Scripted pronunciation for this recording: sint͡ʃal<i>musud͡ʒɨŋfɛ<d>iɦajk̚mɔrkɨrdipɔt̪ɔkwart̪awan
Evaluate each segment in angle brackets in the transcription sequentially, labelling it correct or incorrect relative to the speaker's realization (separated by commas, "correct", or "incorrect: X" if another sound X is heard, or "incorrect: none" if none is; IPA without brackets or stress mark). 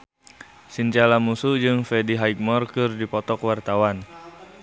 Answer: incorrect: a, correct